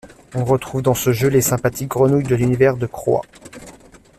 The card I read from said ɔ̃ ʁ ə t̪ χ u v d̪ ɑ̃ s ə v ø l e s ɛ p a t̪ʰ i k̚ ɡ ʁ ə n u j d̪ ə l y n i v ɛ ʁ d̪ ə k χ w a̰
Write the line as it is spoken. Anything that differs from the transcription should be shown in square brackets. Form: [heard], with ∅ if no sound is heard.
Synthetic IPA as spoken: ɔ̃ ʁ ə t̪ χ u v d̪ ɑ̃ s ə [ʒ] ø l e s [ɛ̃] p a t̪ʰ i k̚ ɡ ʁ ə n u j d̪ ə l y n i v ɛ ʁ d̪ ə k χ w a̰